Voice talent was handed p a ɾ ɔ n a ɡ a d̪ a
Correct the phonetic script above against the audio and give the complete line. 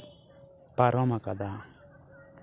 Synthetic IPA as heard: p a ɾ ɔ m a k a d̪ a